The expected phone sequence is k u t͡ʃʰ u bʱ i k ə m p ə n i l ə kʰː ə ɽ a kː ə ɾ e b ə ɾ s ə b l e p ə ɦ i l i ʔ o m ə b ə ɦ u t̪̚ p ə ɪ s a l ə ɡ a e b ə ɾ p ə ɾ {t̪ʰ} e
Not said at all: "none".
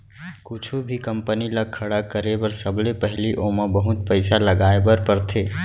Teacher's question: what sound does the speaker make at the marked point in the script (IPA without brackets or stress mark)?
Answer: t̪ʰ